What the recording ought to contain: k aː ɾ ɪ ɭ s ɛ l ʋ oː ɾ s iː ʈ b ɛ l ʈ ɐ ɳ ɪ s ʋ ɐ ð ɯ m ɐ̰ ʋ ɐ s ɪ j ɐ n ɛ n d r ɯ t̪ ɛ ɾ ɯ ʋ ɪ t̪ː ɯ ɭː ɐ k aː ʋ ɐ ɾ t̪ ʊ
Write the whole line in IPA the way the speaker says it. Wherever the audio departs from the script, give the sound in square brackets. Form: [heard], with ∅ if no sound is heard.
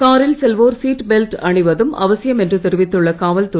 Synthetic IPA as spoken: k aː ɾ ɪ [l] s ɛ l ʋ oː ɾ s iː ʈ b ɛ l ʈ ɐ ɳ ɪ [∅] ʋ ɐ ð ɯ m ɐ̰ ʋ ɐ s ɪ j ɐ [m] ɛ n d r ɯ t̪ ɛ ɾ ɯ ʋ ɪ t̪ː ɯ ɭː ɐ k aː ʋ ɐ [l] t̪ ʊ